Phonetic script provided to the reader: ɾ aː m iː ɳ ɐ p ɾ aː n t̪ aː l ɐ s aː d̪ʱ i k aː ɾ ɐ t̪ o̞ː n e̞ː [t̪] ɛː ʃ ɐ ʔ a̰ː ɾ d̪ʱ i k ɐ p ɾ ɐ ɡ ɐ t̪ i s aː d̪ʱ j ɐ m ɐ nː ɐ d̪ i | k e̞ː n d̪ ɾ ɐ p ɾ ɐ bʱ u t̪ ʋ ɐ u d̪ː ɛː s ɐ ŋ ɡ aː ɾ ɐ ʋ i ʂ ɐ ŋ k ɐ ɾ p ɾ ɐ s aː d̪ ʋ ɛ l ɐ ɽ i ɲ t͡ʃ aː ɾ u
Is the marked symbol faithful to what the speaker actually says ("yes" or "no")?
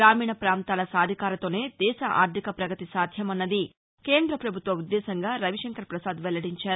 no